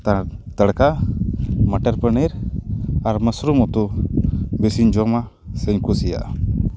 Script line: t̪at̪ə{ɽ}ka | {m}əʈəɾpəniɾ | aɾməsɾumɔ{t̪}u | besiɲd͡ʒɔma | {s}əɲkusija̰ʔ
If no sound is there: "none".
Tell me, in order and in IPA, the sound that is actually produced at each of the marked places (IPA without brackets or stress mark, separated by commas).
ɽ, m, t̪, s